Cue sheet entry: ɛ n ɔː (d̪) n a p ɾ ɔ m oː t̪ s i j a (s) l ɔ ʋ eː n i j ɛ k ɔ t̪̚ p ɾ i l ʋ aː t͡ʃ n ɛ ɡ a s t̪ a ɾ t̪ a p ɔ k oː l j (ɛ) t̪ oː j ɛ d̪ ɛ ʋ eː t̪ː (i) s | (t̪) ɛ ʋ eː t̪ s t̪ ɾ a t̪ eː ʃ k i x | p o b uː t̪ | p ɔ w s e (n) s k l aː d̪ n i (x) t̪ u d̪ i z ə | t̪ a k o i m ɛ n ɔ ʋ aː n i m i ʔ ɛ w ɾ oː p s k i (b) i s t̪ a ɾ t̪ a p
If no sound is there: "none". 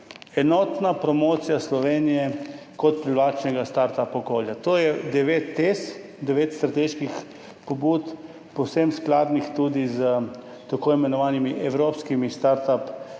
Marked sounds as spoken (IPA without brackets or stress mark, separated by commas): t̪, s, a, e, d̪, m, x, m